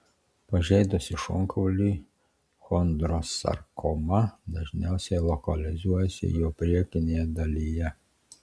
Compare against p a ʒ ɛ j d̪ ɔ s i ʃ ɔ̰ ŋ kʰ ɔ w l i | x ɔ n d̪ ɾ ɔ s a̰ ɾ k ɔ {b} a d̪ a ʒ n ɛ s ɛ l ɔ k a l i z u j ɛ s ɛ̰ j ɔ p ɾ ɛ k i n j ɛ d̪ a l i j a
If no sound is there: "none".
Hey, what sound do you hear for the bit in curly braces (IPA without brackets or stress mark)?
m